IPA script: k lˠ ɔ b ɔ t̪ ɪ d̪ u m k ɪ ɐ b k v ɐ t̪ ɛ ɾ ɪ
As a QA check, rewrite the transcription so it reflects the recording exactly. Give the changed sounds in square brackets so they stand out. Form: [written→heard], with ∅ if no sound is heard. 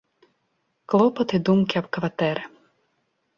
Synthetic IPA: k lˠ ɔ [b→p] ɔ t̪ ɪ d̪ u m k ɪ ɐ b k [v→ʋ] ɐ t̪ ɛ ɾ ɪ